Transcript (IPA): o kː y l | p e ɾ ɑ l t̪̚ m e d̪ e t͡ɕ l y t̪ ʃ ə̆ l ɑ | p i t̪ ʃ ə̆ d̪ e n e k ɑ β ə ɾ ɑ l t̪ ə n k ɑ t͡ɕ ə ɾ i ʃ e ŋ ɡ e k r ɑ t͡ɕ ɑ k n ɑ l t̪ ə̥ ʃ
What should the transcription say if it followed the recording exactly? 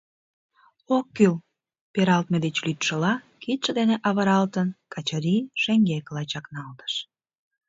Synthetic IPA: o kː y l | p e ɾ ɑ l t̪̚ m e d̪ e t͡ɕ l y t̪ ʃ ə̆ l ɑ | k i t̪ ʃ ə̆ d̪ e n e ʔ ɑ β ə ɾ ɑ l t̪ ə n k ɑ t͡ɕ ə ɾ i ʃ e ŋ ɡ e k l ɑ t͡ɕ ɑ k n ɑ l t̪ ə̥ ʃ